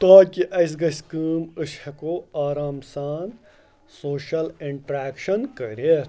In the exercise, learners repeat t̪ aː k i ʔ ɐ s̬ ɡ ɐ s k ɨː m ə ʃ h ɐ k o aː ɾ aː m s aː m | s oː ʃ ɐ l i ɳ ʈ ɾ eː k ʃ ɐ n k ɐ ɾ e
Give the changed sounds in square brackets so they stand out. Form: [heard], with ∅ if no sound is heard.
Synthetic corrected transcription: t̪ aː k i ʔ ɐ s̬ ɡ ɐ s k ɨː m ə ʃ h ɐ k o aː ɾ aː m s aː [n] | s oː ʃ ɐ l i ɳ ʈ ɾ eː k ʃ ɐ n k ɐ ɾ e